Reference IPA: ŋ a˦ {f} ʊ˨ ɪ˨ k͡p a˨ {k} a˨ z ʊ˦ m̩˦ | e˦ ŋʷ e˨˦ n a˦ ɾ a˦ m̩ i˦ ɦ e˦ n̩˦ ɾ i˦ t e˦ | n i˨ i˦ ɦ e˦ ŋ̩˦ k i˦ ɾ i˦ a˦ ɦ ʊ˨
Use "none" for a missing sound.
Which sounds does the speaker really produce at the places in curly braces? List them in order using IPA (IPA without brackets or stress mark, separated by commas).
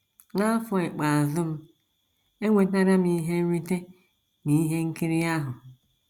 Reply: f, none